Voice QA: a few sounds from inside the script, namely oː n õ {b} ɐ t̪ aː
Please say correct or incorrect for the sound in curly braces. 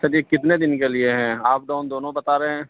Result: correct